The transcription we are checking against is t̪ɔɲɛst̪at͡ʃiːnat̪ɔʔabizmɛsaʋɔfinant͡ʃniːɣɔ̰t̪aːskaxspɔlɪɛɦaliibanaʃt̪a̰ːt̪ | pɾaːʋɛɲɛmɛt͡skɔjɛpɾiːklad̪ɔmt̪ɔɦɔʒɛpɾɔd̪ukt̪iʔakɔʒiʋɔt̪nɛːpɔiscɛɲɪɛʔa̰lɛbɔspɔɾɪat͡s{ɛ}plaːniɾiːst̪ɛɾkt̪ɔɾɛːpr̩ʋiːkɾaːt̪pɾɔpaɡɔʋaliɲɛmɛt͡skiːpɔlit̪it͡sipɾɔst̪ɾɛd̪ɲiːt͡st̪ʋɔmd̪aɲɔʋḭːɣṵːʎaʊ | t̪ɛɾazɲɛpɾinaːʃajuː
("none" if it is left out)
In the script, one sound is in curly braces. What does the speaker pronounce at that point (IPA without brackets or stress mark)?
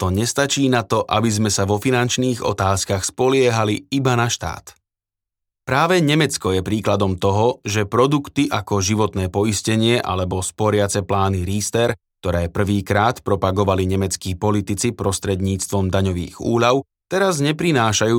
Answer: ɛ